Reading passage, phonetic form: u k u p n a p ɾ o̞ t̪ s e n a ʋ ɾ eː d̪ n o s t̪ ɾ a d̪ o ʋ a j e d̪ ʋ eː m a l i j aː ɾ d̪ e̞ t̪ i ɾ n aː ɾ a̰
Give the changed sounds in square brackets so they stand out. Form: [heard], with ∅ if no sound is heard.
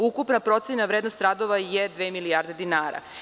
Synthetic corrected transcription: u k u p n a p ɾ o̞ t̪ s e n a ʋ ɾ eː d̪ n o s t̪ ɾ a d̪ o ʋ a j e d̪ ʋ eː m [i] l i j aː ɾ d̪ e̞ [d̪] i [∅] n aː ɾ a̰